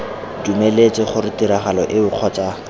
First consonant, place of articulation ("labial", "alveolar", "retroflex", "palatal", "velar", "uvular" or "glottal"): alveolar